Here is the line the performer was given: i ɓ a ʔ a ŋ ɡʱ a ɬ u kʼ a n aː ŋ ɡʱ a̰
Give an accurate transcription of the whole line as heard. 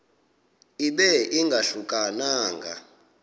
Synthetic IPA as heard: i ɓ ɛ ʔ i ŋ ɡʱ a ɬ u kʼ a n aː ŋ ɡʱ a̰